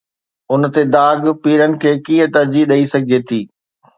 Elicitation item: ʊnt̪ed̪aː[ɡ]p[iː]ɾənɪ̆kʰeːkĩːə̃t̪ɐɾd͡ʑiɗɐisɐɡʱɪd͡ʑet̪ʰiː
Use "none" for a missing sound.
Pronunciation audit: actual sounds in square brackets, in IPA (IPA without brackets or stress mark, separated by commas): ɡ, iː